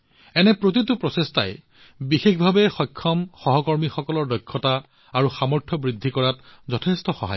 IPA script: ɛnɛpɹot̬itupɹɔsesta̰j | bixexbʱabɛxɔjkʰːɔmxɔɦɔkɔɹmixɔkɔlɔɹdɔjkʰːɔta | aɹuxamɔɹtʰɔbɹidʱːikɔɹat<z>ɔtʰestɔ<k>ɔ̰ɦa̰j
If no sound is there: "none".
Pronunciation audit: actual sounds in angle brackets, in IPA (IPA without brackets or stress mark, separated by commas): z, x